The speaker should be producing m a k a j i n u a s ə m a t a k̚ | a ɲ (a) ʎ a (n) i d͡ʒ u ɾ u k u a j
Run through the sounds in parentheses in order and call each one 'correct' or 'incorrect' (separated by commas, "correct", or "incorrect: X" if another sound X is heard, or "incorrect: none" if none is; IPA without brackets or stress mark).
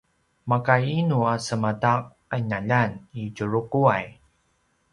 correct, correct